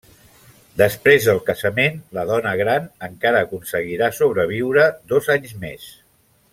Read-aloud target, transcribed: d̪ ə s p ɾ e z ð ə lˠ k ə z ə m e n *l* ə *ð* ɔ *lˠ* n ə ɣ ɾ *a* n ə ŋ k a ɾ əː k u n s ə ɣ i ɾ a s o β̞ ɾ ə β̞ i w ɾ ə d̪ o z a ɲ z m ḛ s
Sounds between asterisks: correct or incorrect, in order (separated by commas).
correct, correct, incorrect, correct